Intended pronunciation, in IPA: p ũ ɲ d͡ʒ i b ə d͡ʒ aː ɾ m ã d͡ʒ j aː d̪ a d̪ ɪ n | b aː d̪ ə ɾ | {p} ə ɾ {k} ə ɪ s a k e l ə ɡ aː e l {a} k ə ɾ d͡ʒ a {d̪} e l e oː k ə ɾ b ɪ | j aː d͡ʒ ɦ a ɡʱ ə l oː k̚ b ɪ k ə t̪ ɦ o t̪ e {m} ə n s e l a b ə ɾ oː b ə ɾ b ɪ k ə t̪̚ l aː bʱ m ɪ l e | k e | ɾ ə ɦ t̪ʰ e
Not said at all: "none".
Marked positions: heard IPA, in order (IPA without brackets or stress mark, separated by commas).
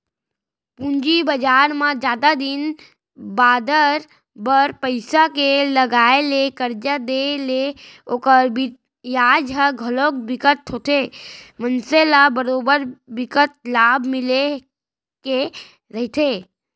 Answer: b, p, e, d̪, m